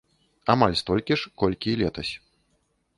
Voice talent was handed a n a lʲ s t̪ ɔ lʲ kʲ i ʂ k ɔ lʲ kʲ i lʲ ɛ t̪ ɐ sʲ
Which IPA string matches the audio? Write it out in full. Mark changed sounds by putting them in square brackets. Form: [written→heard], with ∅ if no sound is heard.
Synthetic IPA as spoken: a [n→m] a lʲ s t̪ ɔ lʲ kʲ i ʂ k ɔ lʲ kʲ i lʲ ɛ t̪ ɐ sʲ